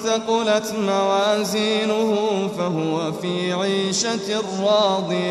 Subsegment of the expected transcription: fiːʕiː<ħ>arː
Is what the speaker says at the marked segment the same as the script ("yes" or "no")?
no